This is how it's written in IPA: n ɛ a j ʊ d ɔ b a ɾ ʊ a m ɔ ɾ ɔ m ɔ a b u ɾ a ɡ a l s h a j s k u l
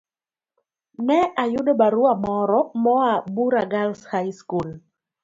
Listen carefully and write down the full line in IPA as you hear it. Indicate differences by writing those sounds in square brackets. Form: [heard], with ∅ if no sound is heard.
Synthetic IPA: n ɛ a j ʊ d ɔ b a ɾ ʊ a m ɔ ɾ ɔ m ɔ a b u ɾ a ɡ a l s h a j s k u l